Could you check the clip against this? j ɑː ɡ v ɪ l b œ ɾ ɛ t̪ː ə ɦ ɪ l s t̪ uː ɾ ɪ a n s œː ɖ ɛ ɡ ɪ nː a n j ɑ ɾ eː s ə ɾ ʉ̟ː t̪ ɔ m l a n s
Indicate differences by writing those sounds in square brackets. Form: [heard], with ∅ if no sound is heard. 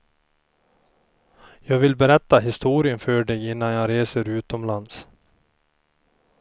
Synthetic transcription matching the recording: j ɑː ɡ v ɪ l b [ɛ] ɾ ɛ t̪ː [a] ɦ ɪ [∅] s t̪ uː ɾ ɪ [ə] n [f] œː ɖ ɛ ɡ ɪ nː a n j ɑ ɾ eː s ə ɾ ʉ̟ː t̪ ɔ m l a n s